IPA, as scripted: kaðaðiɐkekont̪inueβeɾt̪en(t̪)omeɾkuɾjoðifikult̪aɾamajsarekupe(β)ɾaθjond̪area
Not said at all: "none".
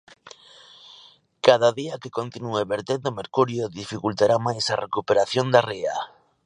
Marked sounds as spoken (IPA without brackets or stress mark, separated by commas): d̪, none